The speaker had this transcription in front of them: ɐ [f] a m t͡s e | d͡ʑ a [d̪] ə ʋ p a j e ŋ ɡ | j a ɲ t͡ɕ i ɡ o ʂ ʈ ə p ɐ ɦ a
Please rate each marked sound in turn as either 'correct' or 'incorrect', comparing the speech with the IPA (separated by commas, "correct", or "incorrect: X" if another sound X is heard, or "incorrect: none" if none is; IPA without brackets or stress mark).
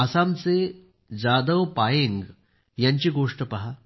incorrect: s, correct